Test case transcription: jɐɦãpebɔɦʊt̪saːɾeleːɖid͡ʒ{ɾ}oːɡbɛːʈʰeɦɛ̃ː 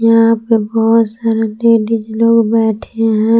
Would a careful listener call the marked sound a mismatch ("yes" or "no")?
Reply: yes